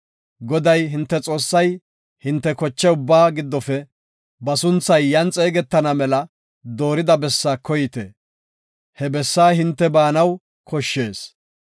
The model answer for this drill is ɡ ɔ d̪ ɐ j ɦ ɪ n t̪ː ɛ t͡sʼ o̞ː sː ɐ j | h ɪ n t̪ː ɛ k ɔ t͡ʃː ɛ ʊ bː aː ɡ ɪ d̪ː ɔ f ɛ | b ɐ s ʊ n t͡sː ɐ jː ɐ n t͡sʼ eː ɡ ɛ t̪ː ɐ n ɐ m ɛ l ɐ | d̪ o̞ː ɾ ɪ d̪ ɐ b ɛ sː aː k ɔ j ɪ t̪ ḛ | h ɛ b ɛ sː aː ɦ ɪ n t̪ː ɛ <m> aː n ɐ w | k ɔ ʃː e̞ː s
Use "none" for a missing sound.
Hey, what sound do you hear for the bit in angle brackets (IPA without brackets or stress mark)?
b